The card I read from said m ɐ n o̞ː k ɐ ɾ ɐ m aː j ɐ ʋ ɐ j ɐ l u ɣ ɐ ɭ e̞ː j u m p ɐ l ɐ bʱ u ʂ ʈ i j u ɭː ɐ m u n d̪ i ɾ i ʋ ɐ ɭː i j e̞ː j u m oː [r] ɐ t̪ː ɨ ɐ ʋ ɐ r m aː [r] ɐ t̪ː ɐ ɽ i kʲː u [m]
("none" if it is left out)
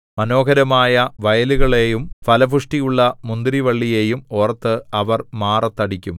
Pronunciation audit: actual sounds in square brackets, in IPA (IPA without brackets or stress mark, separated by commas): r, r, m